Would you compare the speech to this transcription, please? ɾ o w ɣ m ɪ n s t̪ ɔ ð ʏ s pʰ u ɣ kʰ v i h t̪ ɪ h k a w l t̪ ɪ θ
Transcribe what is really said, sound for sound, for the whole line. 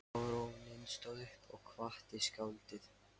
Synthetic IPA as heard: ɾ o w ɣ n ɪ n s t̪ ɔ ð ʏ h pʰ ɔ ɣ kʰ v a h t̪ ɪ s k a w l t̪ ɪ θ